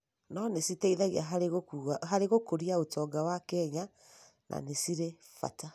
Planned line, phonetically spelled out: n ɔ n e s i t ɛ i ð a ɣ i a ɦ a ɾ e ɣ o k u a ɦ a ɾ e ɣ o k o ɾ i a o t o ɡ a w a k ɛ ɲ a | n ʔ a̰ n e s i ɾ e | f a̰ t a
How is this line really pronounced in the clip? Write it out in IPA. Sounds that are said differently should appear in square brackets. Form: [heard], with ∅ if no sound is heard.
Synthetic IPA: n ɔ n e s i t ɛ i ð a ɣ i a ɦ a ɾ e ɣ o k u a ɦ a ɾ e ɣ o k o ɾ i a o t [ɔ] ɡ a w a k ɛ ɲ a | n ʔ a̰ n e s i ɾ e | f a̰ t a